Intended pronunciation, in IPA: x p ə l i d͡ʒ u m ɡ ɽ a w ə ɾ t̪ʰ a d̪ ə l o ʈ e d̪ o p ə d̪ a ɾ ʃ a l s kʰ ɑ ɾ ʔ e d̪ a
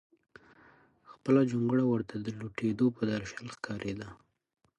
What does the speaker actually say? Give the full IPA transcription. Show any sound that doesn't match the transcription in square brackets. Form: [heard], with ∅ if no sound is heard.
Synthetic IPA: x p ə l [a] d͡ʒ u [ŋ] ɡ ɽ a w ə ɾ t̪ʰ a d̪ ə l [u] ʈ e d̪ o p ə d̪ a ɾ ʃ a l [x] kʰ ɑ ɾ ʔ e d̪ a